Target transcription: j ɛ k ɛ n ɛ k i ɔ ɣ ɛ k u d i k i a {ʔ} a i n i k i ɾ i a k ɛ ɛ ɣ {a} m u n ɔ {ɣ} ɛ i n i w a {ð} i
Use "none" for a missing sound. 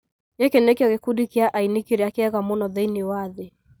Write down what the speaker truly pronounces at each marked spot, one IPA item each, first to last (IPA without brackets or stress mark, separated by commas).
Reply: ʔ, a, ð, ð